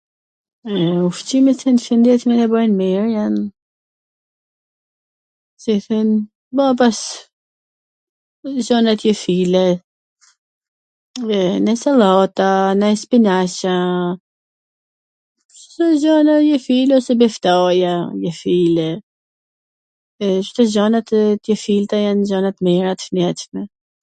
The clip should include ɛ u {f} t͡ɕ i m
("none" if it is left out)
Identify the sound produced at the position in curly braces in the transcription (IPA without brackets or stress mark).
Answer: f